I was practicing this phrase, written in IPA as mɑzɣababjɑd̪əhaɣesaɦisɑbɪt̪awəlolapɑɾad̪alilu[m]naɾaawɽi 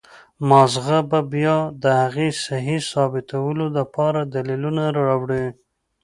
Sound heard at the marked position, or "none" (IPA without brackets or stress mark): none